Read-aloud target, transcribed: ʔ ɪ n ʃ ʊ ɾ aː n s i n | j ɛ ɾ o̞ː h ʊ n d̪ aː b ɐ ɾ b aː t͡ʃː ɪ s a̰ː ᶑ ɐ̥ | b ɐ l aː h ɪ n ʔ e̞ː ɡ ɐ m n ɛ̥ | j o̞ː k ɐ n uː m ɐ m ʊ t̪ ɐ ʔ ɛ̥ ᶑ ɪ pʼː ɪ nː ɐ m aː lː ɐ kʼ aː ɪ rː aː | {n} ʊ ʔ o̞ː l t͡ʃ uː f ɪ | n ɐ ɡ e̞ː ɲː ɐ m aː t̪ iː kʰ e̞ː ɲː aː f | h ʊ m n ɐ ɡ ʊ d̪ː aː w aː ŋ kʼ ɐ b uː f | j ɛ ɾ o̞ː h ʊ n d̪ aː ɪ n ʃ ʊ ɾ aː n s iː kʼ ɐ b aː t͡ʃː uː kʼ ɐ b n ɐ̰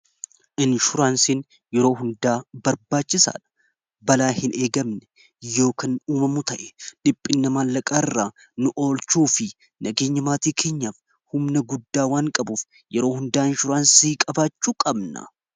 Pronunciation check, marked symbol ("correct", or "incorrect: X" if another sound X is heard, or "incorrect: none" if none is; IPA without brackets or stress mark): correct